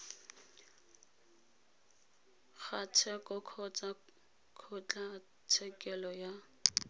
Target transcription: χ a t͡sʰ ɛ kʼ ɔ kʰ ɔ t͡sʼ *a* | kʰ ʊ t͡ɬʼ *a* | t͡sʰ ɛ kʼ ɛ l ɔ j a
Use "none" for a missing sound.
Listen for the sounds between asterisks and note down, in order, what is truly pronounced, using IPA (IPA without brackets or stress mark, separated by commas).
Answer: a, a